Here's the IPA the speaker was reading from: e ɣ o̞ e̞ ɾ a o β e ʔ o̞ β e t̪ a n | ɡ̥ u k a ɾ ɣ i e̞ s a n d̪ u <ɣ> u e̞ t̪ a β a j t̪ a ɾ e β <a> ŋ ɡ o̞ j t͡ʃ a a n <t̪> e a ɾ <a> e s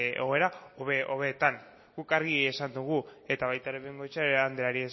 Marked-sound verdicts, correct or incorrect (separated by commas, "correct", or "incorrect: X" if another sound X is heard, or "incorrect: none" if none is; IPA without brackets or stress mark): correct, incorrect: e, incorrect: d̪, incorrect: i